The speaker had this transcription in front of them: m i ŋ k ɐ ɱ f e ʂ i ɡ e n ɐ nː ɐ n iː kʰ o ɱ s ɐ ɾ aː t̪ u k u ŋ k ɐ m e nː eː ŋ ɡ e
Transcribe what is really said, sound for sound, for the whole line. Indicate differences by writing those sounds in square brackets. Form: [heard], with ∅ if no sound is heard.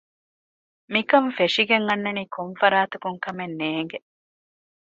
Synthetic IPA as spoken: m i [∅] k ɐ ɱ f e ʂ i ɡ e [ŋ] ɐ nː ɐ n iː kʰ o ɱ [f] ɐ ɾ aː t̪ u k u ŋ k ɐ m e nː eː ŋ ɡ e

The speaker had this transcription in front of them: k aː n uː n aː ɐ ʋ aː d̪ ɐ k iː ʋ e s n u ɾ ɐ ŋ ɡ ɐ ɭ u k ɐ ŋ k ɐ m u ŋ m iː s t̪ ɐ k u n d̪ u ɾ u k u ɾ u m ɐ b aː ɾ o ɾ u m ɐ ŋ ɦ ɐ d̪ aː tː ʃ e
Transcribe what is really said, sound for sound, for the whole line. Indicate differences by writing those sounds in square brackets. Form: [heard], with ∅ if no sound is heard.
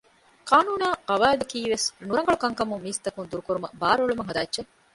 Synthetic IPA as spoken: k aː n uː n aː ɐ ʋ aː d̪ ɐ k iː ʋ e s n u ɾ ɐ ŋ ɡ ɐ ɭ u k ɐ ŋ k ɐ m u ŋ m iː s t̪ ɐ k u n d̪ u ɾ u k u ɾ u m ɐ b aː ɾ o [ɭ] u m ɐ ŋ ɦ ɐ d̪ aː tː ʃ e

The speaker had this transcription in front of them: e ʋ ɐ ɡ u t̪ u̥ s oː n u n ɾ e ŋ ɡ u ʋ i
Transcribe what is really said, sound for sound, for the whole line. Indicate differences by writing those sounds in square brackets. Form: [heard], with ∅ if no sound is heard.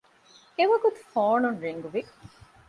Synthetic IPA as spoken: e ʋ ɐ ɡ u t̪ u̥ [f] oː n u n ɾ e ŋ ɡ u ʋ i

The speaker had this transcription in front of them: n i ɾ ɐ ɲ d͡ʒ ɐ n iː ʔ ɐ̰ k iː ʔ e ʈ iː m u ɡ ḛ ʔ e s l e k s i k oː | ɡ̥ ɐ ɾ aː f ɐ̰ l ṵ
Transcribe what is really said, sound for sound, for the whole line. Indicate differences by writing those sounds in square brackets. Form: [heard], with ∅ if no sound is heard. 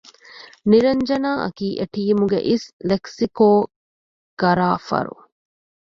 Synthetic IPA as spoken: n i ɾ ɐ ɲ d͡ʒ ɐ n [aː] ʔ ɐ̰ k iː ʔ e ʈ iː m u ɡ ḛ ʔ [i] s l e k s i k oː | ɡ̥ ɐ ɾ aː f ɐ̰ [ɾ] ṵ

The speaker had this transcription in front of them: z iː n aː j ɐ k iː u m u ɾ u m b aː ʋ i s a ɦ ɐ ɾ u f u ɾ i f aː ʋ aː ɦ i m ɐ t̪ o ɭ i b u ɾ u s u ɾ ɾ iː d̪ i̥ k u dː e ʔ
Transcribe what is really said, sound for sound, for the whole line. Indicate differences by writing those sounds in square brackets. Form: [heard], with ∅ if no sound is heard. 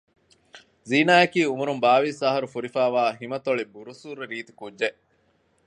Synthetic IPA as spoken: z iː n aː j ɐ k iː u m u ɾ u m b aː ʋ i s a ɦ ɐ ɾ u f u ɾ i f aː ʋ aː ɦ i m ɐ t̪ o ɭ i b u ɾ u s u ɾ ɾ iː [t̪] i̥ k u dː e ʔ

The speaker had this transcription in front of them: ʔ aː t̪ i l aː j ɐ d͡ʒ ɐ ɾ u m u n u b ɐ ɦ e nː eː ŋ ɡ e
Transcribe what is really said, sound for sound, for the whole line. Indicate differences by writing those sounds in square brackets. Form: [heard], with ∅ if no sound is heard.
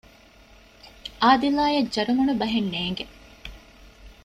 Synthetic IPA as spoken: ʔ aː [d̪] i l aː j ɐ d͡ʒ ɐ ɾ u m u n u b ɐ ɦ e nː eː ŋ ɡ e

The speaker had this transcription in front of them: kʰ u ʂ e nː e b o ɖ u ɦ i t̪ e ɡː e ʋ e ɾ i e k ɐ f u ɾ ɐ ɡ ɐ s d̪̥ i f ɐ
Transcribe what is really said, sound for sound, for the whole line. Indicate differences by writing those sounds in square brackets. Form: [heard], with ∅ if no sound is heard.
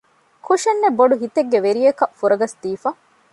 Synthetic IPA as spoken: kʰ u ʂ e nː e b o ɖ u ɦ i t̪ e ɡː e ʋ e ɾ i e k ɐ f u ɾ ɐ ɡ ɐ s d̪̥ [iː] f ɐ

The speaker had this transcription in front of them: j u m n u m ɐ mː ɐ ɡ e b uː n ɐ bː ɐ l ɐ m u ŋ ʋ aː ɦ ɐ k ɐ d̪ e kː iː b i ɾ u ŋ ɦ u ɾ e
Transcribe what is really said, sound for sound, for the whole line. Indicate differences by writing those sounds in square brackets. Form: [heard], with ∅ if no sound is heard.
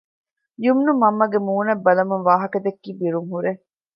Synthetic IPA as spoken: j u m n u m ɐ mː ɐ ɡ e [m] uː n ɐ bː ɐ l ɐ m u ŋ ʋ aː ɦ ɐ k ɐ d̪ e kː iː b i ɾ u ŋ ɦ u ɾ e

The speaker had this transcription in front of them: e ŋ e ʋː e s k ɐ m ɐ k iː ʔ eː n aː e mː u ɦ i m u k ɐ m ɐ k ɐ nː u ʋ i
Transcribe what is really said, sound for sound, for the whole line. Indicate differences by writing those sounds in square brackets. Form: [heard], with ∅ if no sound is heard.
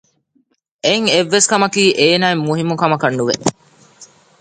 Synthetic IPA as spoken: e ŋ e ʋː e s k ɐ m ɐ k iː ʔ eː n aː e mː u ɦ i m u k ɐ m ɐ k ɐ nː u ʋ [e]

